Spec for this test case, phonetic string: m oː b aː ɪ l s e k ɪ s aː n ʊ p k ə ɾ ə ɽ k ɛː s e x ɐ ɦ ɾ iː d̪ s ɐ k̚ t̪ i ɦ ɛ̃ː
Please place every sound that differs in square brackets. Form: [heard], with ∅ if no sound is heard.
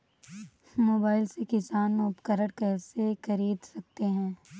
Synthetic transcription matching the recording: m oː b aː ɪ l s e k ɪ s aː n ʊ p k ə ɾ ə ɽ k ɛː s e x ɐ [∅] ɾ iː d̪ s ɐ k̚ t̪ [e] ɦ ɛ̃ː